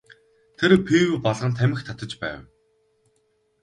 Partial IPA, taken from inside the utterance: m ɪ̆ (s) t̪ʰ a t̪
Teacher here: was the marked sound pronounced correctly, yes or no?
no